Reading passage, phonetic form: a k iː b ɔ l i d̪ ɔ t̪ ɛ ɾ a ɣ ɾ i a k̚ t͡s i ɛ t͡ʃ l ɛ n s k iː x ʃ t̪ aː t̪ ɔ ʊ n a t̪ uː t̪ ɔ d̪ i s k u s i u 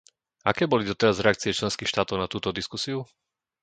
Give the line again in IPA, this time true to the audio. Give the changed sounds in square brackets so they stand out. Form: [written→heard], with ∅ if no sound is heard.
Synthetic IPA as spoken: a k [iː→ɛː] b ɔ l i d̪ ɔ t̪ ɛ ɾ a [ɣ→z] ɾ [i→ɛ] a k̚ t͡s i ɛ t͡ʃ l ɛ n s k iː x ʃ t̪ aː t̪ ɔ ʊ n a t̪ uː t̪ ɔ d̪ i s k u s i u